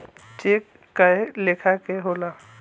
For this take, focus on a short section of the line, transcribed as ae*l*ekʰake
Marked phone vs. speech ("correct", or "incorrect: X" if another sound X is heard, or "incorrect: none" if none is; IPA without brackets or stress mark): correct